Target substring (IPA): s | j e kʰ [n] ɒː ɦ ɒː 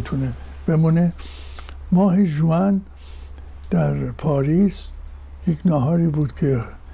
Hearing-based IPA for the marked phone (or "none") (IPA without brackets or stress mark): n